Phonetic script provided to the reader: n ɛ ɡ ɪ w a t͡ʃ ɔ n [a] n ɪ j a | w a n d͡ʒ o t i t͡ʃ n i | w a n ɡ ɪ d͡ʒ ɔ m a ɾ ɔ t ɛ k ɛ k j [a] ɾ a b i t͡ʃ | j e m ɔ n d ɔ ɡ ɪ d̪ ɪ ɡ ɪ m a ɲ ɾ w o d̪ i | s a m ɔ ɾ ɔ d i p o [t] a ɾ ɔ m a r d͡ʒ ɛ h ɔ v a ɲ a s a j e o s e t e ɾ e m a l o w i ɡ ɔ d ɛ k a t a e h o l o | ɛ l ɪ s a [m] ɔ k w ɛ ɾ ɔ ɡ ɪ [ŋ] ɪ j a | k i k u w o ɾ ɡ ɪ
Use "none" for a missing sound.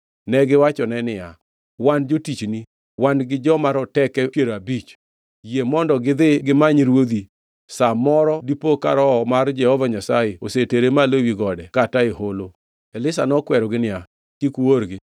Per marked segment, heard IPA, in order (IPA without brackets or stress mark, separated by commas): ɛ, e, k, n, n